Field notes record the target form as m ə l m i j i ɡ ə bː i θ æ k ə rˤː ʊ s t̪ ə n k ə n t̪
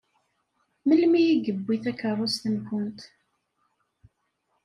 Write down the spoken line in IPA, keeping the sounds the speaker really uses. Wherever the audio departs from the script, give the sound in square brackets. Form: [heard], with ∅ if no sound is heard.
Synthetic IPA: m ə l m i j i ɡ ə bː i θ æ k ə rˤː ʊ s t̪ ə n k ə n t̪